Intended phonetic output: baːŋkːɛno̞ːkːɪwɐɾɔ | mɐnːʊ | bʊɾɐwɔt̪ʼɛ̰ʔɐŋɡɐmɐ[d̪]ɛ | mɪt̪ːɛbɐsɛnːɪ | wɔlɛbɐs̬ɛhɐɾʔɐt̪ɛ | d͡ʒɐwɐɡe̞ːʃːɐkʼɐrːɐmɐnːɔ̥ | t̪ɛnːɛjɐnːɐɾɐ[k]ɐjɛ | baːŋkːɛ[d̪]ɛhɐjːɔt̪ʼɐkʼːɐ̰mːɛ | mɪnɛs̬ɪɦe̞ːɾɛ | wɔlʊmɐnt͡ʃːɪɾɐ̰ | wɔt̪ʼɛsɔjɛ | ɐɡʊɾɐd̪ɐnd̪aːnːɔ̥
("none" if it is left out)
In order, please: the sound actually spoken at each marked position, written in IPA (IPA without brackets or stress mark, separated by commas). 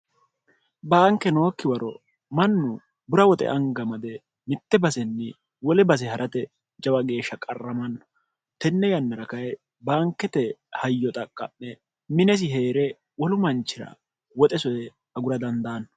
d̪, k, t̪